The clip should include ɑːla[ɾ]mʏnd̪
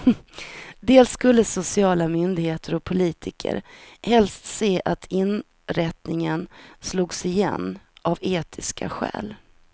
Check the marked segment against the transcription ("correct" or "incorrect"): incorrect